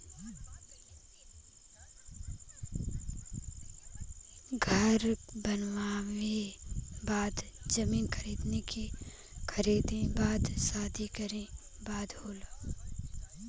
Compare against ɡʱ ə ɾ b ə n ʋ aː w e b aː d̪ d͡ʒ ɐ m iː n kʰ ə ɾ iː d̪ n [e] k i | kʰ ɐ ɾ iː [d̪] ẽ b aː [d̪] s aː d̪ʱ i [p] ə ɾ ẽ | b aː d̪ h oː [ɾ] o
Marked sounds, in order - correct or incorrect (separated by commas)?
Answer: correct, correct, correct, incorrect, incorrect